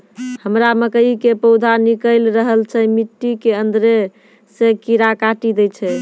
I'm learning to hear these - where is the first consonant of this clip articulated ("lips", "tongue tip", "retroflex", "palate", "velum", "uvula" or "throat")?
throat